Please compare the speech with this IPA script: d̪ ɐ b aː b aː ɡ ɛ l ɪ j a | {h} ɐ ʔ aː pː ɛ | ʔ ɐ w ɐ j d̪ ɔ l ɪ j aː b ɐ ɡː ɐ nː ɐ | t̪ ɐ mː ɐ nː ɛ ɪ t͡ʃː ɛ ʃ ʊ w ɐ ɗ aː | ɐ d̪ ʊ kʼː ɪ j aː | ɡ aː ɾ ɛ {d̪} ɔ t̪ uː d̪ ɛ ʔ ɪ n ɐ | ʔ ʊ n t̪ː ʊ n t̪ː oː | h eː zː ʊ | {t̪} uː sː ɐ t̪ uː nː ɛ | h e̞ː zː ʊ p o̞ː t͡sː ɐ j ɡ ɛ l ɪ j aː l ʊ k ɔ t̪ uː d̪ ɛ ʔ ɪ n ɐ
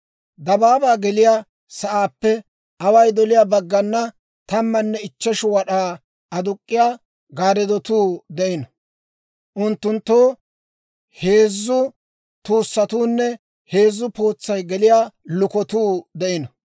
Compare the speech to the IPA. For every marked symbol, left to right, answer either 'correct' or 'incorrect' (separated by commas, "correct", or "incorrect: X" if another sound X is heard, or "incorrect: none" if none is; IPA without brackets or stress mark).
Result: incorrect: s, correct, correct